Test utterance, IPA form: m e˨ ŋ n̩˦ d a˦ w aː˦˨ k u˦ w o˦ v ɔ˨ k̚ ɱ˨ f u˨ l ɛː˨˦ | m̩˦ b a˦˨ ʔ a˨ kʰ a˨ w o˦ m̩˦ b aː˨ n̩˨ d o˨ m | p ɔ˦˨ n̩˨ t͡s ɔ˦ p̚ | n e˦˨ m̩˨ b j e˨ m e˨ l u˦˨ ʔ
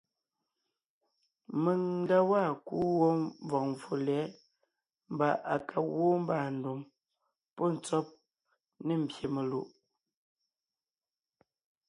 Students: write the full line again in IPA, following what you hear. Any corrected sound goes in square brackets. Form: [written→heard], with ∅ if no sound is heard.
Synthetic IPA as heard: m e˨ ŋ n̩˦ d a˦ w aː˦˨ k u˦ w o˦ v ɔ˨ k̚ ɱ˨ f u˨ l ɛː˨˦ | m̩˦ b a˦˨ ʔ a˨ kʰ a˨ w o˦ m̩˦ b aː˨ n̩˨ d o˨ m | p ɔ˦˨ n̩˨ t͡s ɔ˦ p̚ | n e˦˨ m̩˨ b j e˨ m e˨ l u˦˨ ʔ